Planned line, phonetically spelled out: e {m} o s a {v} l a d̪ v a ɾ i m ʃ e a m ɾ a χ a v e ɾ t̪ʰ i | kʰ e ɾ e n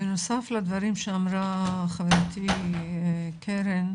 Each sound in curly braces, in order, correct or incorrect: incorrect: n, incorrect: f

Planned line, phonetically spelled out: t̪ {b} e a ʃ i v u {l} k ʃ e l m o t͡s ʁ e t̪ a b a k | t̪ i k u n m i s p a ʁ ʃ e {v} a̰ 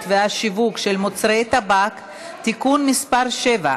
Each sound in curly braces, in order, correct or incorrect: incorrect: v, incorrect: none, correct

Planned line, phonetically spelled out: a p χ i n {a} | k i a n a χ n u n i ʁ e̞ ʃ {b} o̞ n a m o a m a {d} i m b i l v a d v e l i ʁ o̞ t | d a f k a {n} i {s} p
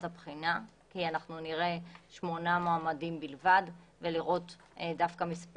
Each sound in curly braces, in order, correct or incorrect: correct, incorrect: m, correct, incorrect: m, correct

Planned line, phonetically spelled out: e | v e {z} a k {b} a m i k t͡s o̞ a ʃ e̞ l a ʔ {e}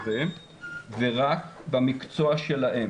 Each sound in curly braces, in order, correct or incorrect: incorrect: ʁ, correct, correct

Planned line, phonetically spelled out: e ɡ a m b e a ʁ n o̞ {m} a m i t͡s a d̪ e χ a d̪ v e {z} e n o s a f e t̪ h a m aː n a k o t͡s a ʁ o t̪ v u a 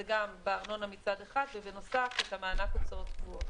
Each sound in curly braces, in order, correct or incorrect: incorrect: n, incorrect: v

